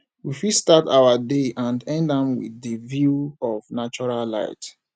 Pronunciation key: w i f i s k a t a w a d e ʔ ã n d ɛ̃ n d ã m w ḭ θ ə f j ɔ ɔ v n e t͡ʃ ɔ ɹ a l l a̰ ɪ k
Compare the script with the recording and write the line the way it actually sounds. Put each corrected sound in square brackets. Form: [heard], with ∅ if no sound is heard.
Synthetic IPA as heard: w i f i s [t] a t a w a d e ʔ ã n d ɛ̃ n d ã m w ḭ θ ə [v] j [u] ɔ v n [a] t͡ʃ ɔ ɹ a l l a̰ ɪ [t]